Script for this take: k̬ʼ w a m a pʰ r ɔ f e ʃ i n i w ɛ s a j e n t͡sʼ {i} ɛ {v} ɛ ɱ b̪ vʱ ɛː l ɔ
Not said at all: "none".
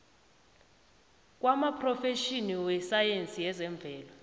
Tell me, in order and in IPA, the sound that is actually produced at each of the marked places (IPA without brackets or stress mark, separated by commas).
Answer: i, z